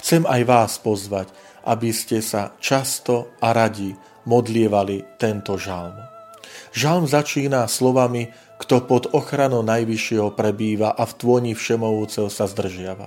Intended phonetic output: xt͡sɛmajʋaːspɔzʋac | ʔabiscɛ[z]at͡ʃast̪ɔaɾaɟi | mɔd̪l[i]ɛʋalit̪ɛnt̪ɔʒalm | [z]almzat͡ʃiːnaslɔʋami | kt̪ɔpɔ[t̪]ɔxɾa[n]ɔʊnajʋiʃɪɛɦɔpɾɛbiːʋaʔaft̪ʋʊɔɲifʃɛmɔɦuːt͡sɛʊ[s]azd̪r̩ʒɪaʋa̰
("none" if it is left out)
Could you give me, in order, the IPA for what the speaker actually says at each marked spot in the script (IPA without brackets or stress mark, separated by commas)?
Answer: s, ɪ, ʒ, d̪, n, s